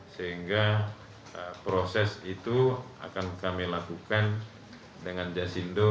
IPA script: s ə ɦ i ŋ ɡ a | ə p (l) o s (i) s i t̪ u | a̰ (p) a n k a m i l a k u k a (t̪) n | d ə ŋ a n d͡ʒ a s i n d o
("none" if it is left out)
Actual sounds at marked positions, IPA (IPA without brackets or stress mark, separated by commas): ɾ, ɛ, k, none